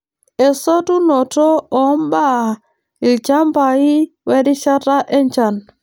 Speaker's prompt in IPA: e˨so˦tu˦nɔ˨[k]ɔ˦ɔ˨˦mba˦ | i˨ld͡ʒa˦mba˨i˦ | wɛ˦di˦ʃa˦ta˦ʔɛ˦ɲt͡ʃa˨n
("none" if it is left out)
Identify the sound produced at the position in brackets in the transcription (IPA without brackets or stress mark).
t